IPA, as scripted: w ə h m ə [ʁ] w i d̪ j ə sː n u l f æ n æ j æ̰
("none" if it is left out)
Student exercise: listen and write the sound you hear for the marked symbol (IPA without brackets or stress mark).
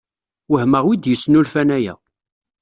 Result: ʁ